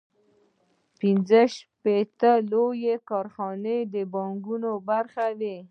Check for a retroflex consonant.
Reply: absent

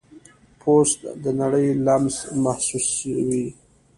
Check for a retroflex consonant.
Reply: present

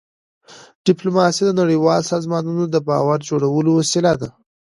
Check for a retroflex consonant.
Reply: present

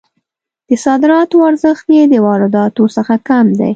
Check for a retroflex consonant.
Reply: absent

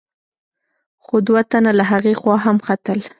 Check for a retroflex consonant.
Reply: absent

